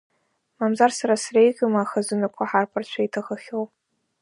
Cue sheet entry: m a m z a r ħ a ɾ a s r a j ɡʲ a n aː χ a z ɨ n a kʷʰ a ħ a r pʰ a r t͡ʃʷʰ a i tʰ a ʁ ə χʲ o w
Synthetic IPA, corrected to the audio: m a m z a r s a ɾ a s r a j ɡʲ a m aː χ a z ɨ n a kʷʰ a ħ a r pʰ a r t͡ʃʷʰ a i tʰ a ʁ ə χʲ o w